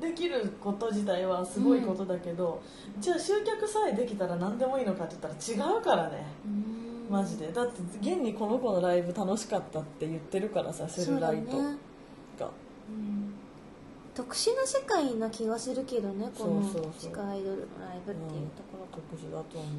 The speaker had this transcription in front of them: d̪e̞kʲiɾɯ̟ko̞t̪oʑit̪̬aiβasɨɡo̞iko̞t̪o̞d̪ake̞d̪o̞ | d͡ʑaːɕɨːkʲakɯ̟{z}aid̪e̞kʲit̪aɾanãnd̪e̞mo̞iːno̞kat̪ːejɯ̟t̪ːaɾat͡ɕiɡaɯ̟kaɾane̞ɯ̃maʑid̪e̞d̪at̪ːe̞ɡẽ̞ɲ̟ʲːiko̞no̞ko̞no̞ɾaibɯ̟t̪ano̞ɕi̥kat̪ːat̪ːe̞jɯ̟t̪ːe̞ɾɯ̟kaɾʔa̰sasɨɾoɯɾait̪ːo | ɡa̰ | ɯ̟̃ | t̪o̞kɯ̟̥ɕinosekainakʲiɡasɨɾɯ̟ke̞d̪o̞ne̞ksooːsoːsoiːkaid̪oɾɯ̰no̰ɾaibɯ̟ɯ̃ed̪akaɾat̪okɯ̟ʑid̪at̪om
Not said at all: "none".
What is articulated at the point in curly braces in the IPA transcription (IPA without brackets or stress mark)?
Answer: s